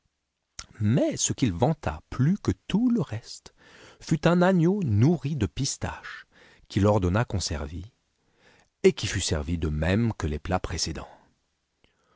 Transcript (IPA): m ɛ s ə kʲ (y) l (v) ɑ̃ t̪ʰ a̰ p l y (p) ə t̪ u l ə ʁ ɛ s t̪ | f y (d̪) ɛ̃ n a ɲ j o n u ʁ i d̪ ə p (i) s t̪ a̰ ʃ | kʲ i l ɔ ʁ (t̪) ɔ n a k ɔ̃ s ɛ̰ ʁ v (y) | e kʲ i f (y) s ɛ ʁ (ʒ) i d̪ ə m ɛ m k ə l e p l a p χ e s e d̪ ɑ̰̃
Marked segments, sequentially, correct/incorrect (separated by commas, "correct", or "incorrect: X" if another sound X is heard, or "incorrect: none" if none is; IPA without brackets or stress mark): incorrect: i, correct, incorrect: k, incorrect: t̪, correct, incorrect: d̪, incorrect: i, correct, incorrect: v